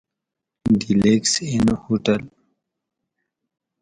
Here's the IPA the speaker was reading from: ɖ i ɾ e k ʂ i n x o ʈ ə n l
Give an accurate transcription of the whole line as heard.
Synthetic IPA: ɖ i l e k s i n h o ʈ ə l